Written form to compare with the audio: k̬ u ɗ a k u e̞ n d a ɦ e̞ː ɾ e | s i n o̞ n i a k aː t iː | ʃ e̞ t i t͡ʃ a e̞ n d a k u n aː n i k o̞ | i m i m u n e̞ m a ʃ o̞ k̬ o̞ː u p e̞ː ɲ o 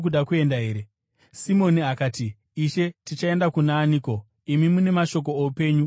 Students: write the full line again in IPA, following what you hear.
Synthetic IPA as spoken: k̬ u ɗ a k u e̞ n d a ɦ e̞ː ɾ e | s i m o̞ n i a k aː t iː | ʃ e̞ t i t͡ʃ a e̞ n d a k u n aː n i k o̞ | i m i m u n e̞ m a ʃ o̞ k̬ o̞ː u p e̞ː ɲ u

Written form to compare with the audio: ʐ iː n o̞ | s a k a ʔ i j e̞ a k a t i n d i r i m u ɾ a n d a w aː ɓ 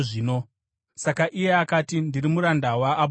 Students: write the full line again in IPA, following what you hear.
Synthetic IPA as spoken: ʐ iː n o̞ | s a k a ʔ i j e̞ a k a t i n d i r i m u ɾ a n d a w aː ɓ

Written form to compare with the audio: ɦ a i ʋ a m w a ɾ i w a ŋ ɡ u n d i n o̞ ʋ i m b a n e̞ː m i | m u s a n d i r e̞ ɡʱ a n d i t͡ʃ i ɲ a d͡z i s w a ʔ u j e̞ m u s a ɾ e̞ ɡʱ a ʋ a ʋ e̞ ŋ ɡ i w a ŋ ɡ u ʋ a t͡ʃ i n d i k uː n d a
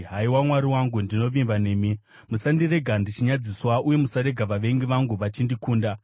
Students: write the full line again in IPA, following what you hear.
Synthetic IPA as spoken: ɦ a i w a m w a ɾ i w a ŋ ɡ u n d i n o̞ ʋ i m b a n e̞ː m i | m u s a n d i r e̞ ɡʱ a n d i t͡ʃ i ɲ a d͡z i s w a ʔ u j e̞ m u s a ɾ e̞ ɡʱ a ʋ a ʋ e̞ ŋ ɡ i ʋ a ŋ ɡ u ʋ a t͡ʃ i n d i k uː n d a

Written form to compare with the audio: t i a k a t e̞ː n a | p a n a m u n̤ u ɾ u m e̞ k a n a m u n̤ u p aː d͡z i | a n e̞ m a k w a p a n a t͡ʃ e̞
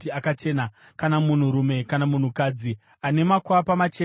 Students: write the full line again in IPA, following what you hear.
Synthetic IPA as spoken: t i a k a t͡ʃ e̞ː n a | k a n a m u n̤ u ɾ u m e̞ k a n a m u n̤ u k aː d͡z i | a n e̞ m a k w a p a m a t͡ʃ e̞

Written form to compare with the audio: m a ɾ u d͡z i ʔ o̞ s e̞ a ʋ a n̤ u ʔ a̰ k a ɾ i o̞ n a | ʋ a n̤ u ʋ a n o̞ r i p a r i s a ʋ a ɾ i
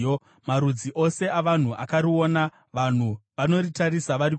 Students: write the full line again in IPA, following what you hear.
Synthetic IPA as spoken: m a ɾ u d͡z i ʔ o̞ s e̞ a ʋ a n̤ u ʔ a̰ k a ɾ i o̞ n a | ʋ a n̤ u ʋ a n o̞ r i t a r i s a ʋ a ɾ i

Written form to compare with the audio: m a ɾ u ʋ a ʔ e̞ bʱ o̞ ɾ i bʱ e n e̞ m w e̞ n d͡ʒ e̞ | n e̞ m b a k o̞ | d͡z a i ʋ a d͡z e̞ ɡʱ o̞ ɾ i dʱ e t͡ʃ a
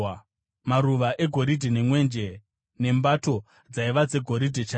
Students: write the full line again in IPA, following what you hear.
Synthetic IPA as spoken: m a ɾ u ʋ a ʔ e̞ ɡʱ o̞ ɾ i dʱ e n e̞ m w e̞ n d͡ʒ e̞ | n e̞ m b a t o̞ | d͡z a i ʋ a d͡z e̞ ɡʱ o̞ ɾ i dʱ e t͡ʃ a

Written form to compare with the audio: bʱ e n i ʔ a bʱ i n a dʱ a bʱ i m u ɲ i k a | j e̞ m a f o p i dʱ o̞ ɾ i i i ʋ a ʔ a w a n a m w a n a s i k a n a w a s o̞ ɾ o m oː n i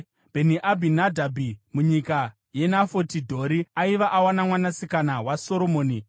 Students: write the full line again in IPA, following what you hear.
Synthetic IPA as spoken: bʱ e n i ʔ a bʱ i n a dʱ a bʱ i m u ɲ i k a | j e̞ n a f o t i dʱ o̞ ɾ i a i ʋ a ʔ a w a n a m w a n a s i k a n a w a s o̞ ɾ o m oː n i

